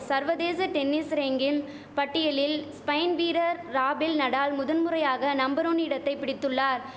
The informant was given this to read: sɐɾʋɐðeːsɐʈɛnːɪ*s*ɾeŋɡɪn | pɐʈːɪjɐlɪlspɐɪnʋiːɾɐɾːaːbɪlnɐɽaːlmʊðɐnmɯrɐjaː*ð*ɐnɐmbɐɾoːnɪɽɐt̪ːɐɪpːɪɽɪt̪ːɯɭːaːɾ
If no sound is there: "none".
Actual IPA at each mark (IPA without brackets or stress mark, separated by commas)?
s, ɣ